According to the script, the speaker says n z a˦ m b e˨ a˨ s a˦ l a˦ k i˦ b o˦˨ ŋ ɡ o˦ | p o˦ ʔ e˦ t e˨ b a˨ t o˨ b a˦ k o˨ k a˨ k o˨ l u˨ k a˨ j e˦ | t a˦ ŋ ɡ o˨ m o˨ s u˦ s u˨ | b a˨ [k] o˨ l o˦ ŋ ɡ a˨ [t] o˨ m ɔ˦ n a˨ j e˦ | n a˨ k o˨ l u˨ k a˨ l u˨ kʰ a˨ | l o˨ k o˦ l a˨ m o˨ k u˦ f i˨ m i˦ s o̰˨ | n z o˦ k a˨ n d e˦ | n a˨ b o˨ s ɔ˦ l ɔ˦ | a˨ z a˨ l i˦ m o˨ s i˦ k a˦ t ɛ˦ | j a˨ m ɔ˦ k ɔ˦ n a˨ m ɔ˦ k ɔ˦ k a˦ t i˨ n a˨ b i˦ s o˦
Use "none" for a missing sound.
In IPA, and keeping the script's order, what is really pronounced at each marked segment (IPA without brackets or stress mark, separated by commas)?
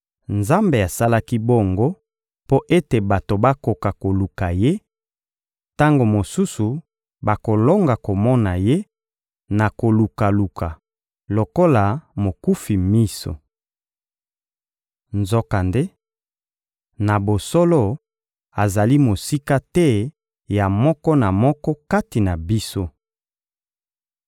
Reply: k, k